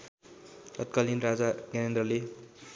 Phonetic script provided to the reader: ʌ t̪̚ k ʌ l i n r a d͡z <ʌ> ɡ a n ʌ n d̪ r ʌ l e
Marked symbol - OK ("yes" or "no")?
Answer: no